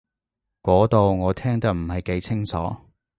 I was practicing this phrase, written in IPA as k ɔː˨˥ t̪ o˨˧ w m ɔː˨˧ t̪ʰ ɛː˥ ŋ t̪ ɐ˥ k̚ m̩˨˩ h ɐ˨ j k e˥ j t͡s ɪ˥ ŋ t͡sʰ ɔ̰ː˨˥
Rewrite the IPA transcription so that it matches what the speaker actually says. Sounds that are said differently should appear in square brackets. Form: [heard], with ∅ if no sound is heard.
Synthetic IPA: k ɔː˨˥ t̪ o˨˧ w [ŋ] ɔː˨˧ t̪ʰ ɛː˥ ŋ t̪ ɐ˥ k̚ m̩˨˩ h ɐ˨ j k [e˨˥] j [t͡sʰ] ɪ˥ ŋ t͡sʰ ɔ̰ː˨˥